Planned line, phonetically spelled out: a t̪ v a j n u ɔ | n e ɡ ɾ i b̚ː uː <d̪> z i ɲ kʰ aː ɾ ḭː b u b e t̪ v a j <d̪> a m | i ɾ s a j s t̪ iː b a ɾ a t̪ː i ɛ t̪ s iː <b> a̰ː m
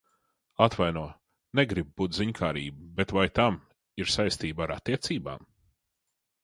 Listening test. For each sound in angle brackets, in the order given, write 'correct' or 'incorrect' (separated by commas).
incorrect, incorrect, correct